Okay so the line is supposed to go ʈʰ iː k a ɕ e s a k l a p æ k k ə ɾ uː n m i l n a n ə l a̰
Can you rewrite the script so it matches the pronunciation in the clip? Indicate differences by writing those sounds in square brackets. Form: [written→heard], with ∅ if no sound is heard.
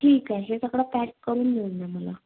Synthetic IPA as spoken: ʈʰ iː k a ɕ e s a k [l→ɽ] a p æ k k ə ɾ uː n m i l n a [n→m] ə l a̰